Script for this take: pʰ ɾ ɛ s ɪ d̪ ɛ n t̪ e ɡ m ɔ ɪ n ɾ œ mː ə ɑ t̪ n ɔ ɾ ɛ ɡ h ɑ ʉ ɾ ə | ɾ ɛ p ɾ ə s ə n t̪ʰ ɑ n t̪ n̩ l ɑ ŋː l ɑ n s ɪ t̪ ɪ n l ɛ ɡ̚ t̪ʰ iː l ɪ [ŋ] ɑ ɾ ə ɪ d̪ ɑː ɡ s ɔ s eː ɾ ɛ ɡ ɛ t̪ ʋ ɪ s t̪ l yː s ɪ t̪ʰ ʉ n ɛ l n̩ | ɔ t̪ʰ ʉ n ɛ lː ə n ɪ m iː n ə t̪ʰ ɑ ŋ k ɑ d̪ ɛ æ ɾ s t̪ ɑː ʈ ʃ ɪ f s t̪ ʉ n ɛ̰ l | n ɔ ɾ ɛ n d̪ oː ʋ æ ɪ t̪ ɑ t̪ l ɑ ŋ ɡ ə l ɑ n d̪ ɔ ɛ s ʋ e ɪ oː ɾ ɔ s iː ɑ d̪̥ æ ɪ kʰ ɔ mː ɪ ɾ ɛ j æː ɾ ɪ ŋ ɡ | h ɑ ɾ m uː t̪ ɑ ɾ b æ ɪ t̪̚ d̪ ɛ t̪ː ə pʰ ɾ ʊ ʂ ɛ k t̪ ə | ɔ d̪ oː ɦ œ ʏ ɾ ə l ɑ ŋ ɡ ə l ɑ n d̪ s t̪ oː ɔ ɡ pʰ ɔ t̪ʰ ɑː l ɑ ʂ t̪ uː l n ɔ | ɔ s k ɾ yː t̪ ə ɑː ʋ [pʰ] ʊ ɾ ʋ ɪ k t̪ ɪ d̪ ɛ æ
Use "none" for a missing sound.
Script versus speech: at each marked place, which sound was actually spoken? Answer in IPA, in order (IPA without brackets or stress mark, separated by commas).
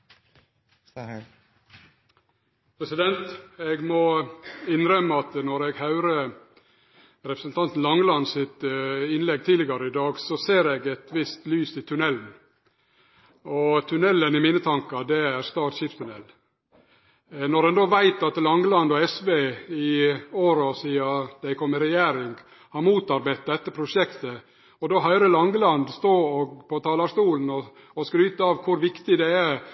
ɡ, kʰ